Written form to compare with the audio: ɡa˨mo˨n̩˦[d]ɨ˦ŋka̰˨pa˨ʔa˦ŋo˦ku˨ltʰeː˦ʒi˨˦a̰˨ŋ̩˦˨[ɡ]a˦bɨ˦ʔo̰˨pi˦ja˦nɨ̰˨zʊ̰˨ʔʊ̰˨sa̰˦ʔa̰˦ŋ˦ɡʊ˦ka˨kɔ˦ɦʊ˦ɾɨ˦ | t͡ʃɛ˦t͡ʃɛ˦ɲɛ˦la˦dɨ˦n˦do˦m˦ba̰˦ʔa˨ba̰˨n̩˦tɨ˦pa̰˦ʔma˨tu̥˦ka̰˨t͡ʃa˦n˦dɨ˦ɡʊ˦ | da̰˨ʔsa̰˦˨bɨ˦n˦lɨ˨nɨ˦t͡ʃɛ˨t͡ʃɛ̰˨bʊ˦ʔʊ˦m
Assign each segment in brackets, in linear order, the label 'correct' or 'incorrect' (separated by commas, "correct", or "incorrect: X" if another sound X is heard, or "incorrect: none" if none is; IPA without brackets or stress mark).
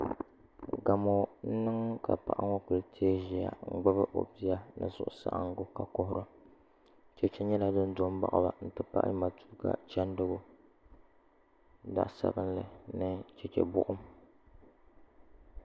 incorrect: n, incorrect: ɡ͡b